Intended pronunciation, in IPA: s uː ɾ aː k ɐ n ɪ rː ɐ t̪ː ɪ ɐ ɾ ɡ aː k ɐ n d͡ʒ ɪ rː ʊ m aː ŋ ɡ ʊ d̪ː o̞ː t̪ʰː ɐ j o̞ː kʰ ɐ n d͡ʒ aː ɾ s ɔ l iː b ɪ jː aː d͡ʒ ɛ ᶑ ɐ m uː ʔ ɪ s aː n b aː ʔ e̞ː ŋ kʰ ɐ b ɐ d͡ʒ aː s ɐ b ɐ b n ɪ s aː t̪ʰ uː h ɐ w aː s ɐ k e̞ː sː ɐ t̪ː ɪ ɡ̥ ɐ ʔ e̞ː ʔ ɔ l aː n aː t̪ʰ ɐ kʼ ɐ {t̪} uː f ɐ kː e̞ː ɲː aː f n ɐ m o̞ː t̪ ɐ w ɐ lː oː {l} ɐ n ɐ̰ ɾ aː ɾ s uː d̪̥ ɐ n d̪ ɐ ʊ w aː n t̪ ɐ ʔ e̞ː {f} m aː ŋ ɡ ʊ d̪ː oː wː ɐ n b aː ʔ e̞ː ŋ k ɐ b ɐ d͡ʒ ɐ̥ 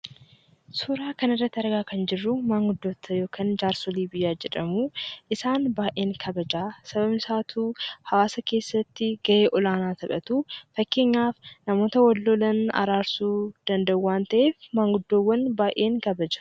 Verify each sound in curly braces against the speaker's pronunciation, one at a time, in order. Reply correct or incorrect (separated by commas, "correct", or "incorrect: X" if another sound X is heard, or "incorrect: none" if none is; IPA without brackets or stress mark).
correct, correct, correct